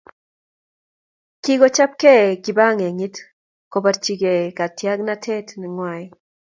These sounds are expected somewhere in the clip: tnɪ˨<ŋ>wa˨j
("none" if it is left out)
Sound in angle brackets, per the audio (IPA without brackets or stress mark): ŋ